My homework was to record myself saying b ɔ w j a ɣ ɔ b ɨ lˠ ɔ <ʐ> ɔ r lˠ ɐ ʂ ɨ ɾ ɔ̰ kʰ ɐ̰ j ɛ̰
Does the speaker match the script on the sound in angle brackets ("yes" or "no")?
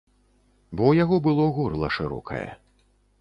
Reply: no